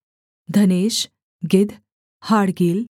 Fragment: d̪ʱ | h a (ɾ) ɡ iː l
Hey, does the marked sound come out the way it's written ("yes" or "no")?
no